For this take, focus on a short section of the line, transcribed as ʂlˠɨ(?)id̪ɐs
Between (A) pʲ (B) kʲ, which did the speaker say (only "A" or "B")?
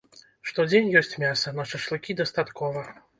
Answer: B